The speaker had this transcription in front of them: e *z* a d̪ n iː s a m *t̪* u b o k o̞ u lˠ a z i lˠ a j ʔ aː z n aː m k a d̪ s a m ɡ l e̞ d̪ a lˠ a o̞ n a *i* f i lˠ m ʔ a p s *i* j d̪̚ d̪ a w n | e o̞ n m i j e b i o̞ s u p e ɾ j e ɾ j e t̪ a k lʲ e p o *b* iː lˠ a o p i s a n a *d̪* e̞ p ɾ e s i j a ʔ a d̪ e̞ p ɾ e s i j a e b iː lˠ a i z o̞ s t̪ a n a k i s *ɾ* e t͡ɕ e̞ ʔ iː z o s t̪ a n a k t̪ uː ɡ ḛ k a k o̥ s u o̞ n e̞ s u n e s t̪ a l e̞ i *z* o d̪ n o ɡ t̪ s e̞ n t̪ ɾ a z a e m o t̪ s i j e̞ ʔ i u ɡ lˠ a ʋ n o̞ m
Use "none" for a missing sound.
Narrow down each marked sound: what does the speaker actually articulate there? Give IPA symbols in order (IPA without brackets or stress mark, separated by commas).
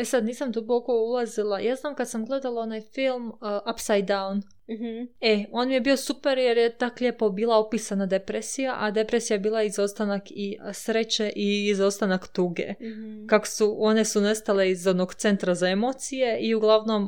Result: s, d̪, j, a, b, d̪, ɾ, z